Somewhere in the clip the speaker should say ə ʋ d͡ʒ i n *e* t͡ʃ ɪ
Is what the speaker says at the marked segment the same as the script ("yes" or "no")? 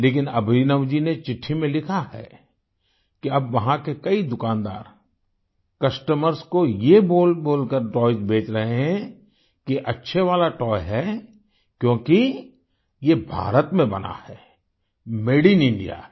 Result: yes